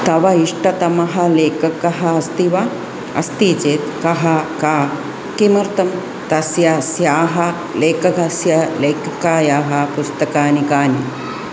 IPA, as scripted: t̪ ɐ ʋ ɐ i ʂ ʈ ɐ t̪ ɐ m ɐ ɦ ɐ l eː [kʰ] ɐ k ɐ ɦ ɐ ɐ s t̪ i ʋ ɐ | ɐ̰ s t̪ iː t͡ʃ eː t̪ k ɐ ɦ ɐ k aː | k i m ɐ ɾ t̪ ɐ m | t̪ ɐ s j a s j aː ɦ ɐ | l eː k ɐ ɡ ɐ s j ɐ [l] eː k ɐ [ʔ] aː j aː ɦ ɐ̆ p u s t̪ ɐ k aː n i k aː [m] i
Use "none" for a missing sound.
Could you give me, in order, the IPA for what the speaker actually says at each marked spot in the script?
k, l, k, n

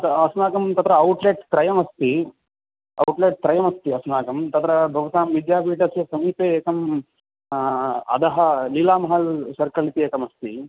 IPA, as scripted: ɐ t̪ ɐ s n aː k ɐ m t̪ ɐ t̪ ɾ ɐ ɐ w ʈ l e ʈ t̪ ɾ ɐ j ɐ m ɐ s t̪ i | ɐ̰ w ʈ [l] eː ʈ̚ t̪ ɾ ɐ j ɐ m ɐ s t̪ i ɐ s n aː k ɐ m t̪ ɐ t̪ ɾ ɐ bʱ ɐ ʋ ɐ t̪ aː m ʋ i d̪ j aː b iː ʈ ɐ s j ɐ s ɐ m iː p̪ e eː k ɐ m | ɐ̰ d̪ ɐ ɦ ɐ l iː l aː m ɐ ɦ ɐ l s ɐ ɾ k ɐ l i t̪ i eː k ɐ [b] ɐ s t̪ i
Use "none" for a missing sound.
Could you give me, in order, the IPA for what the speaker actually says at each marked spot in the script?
l, m

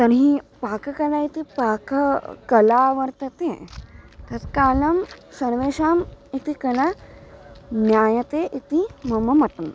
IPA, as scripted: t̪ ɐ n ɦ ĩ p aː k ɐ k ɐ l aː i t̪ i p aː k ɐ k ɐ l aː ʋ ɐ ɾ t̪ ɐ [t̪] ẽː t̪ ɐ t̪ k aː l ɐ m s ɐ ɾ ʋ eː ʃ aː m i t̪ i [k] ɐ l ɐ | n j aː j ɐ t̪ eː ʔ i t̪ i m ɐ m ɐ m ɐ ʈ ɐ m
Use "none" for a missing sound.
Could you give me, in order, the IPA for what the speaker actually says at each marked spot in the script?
t̪, k

